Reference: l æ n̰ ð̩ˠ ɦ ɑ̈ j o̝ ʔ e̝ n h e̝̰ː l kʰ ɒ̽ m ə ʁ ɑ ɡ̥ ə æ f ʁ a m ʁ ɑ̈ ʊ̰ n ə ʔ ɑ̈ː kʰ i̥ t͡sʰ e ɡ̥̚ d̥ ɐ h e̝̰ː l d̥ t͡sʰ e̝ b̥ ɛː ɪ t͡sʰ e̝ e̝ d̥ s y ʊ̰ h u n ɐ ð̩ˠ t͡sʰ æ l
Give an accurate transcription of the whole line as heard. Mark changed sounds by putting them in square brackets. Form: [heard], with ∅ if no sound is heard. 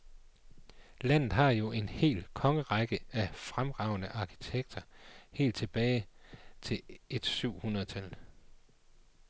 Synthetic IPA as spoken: l æ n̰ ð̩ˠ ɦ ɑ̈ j o̝ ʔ e̝ n h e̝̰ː l kʰ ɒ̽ [ŋ] ə ʁ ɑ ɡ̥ ə æ f ʁ a m ʁ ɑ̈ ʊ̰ n ə ʔ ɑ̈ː kʰ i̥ t͡sʰ e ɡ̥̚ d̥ ɐ h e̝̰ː l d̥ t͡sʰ e̝ b̥ ɛː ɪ t͡sʰ e̝ e̝ d̥ s y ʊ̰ h u n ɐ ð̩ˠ t͡sʰ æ l

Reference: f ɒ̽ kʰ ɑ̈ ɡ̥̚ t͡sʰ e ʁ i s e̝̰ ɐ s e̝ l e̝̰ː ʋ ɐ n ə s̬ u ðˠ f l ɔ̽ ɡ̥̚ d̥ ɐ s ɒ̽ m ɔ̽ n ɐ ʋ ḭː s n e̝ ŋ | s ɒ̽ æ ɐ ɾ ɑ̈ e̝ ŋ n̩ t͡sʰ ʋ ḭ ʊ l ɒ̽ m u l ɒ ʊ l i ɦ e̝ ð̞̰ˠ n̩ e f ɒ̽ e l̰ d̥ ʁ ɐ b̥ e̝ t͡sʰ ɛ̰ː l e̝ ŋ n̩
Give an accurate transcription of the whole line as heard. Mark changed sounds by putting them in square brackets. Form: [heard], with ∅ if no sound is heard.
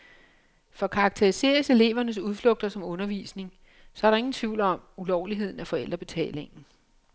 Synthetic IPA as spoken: f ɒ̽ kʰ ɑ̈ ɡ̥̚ t͡sʰ e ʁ i s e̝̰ ɐ s e̝ l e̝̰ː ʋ ɐ n ə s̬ u ðˠ f l ɔ̽ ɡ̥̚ d̥ ɐ s ɒ̽ m ɔ̽ n ɐ ʋ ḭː s n e̝ ŋ | s ɒ̽ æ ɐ ɾ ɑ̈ e̝ ŋ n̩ t͡sʰ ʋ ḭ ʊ l ɒ̽ m u l ɒ ʊ l i ɦ e̝ ð̞̰ˠ n̩ [æ] f ɒ̽ e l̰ d̥ ʁ ɐ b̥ e̝ t͡sʰ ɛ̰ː l e̝ ŋ n̩

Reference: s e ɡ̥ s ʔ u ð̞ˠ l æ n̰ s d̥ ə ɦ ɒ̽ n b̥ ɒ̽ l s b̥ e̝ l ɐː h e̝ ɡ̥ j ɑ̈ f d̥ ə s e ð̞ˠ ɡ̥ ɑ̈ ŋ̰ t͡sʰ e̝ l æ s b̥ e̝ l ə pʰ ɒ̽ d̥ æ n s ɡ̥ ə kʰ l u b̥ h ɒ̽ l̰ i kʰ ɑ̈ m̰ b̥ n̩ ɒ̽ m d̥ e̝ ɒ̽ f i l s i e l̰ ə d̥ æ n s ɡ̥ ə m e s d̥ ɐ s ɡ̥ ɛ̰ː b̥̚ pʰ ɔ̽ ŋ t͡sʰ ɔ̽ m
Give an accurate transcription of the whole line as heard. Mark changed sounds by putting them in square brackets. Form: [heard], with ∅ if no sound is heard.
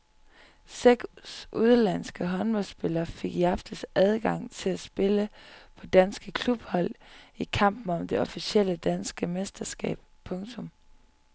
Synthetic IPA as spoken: s e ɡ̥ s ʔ u ð̞ˠ l æ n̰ s [ɡ̥] ə ɦ ɒ̽ n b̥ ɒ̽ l s b̥ e̝ l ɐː [f] e̝ ɡ̥ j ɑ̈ f d̥ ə s [æ] ð̞ˠ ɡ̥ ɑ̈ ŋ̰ t͡sʰ e̝ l æ s b̥ e̝ l ə pʰ ɒ̽ d̥ æ n s ɡ̥ ə kʰ l u b̥ h ɒ̽ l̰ i kʰ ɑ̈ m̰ b̥ n̩ ɒ̽ m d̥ e̝ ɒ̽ f i [∅] s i e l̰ ə d̥ æ n s ɡ̥ ə m e s d̥ ɐ s ɡ̥ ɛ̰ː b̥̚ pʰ ɔ̽ ŋ t͡sʰ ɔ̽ m

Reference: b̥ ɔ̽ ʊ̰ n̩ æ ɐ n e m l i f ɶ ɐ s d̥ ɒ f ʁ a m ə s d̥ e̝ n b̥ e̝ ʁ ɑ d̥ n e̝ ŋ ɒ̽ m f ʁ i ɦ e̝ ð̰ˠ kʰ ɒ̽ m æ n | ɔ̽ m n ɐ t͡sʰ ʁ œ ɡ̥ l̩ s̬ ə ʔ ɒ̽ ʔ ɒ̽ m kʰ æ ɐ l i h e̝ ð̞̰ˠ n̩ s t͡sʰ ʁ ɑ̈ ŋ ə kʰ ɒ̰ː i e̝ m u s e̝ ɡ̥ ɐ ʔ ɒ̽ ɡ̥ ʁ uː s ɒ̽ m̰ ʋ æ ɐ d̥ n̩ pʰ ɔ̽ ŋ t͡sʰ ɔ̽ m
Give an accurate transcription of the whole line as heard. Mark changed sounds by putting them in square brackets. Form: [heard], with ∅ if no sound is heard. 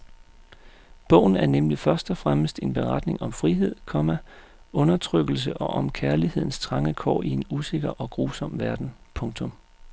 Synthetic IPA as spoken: b̥ ɔ̽ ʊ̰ n̩ æ ɐ n e m l i f ɶ ɐ s d̥ ɒ f ʁ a m ə s d̥ e̝ n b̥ e̝ ʁ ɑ d̥ n e̝ ŋ ɒ̽ m f ʁ i ɦ e̝ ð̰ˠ kʰ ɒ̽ m æ [∅] | ɔ̽ [∅] n ɐ t͡sʰ ʁ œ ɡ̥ l̩ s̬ ə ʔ ɒ̽ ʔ ɒ̽ m kʰ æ ɐ l i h e̝ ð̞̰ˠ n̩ s t͡sʰ ʁ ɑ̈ ŋ ə kʰ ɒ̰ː i e̝ [n] u s e̝ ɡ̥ ɐ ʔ ɒ̽ ɡ̥ ʁ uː s ɒ̽ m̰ ʋ æ ɐ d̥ n̩ pʰ ɔ̽ ŋ t͡sʰ ɔ̽ m

